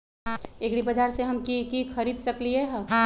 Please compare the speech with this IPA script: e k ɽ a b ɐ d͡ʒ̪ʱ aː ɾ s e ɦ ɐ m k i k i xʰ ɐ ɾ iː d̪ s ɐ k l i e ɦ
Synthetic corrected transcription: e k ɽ i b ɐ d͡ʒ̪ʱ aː ɾ s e ɦ ɐ m k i k i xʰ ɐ ɾ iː d̪ s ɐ k l i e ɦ